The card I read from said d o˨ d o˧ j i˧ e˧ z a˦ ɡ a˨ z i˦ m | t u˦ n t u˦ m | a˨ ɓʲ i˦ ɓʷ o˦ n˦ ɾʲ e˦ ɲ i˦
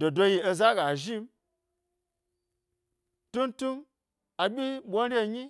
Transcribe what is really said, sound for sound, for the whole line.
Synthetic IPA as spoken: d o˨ d o˧ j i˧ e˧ z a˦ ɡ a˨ ʒ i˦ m | t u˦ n t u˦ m | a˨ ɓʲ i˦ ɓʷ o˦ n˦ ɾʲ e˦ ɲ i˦